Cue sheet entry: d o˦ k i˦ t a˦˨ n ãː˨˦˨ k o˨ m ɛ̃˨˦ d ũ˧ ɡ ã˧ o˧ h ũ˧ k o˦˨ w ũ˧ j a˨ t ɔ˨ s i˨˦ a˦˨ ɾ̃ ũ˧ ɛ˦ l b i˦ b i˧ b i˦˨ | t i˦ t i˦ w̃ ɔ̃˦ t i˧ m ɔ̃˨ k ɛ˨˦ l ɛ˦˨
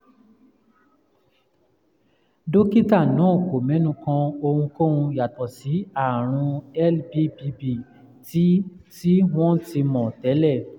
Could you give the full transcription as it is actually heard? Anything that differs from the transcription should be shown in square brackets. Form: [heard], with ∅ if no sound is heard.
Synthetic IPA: d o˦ k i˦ t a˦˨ n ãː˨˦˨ k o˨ m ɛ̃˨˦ [n] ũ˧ [k] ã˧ o˧ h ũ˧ k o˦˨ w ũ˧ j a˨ t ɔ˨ s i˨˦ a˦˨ ɾ̃ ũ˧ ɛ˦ l b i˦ b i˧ b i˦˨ | t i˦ t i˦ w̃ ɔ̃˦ t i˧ m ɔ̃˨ [t] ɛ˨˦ l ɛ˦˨